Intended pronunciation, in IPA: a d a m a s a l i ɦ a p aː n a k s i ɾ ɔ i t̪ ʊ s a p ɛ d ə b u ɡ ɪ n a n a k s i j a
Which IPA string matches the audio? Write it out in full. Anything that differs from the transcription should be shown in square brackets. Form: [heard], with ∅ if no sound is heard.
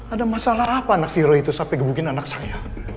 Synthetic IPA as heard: a d a m a s a l [a] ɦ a p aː n a k s i ɾ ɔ i t̪ [u] s a p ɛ [ɡ] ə b u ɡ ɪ n a n a k s [a] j a